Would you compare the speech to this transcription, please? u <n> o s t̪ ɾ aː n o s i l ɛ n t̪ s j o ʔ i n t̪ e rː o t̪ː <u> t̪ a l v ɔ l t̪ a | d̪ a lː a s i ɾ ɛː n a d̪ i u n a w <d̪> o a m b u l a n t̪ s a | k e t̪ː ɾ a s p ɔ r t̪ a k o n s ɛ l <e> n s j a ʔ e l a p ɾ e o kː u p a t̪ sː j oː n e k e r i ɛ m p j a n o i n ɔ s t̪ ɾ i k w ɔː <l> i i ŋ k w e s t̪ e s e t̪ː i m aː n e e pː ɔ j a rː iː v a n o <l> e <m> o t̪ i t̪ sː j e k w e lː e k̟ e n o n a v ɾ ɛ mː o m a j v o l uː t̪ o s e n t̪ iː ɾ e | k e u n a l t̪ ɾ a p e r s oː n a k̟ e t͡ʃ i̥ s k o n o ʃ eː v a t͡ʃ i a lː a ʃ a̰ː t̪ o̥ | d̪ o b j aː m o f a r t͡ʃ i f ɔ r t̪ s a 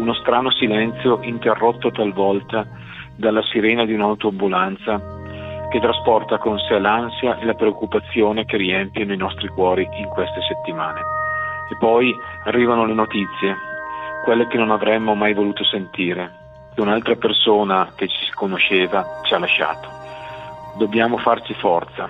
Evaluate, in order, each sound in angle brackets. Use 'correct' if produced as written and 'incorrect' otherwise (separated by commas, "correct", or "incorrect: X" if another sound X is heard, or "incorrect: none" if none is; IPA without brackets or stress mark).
correct, incorrect: o, incorrect: t̪, incorrect: a, incorrect: ɾ, correct, incorrect: n